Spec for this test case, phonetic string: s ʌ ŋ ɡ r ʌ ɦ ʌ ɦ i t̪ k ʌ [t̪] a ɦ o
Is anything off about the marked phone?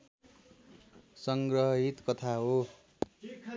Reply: yes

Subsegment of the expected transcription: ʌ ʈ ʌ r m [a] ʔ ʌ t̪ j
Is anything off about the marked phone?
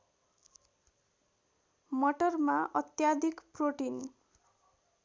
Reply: no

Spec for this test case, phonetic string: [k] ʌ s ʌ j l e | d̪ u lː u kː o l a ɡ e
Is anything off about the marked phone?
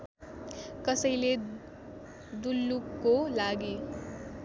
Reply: no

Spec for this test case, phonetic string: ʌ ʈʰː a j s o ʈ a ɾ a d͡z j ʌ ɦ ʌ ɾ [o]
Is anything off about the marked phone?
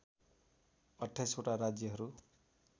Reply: yes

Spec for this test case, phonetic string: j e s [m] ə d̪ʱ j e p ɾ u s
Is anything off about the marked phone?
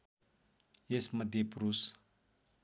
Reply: no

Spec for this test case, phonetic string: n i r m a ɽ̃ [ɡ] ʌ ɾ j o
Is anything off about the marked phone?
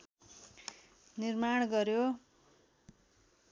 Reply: no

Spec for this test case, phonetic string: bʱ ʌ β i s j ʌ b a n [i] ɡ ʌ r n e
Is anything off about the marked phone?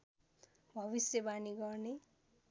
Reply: no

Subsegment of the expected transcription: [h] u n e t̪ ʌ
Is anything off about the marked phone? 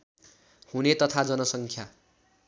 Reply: no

